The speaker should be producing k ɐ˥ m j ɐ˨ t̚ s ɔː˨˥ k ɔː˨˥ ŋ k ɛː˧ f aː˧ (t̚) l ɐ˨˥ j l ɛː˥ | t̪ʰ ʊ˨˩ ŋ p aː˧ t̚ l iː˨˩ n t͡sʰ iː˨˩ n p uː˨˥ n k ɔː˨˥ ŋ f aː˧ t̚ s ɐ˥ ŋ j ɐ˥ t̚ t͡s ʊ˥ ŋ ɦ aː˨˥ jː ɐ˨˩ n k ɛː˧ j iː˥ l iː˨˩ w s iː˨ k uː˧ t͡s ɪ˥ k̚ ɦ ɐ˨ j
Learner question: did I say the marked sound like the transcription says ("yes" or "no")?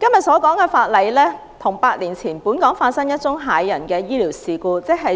yes